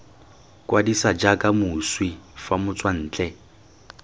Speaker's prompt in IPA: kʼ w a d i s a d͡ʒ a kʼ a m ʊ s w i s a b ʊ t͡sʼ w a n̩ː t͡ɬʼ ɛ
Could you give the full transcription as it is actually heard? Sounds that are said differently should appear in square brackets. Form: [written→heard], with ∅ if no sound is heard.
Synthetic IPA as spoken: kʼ w a d i s a d͡ʒ a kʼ a m ʊ s w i [s→f] a [b→m] ʊ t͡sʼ w a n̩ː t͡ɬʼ ɛ